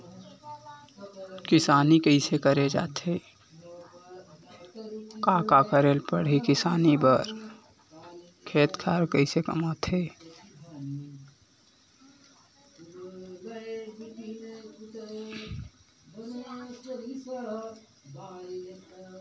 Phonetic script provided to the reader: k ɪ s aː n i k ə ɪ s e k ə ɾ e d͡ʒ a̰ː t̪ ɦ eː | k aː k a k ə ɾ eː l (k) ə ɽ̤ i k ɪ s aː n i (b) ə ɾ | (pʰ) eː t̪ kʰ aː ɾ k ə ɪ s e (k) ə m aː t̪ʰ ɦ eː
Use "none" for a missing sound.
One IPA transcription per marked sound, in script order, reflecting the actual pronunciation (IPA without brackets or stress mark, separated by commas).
p, b, kʰ, k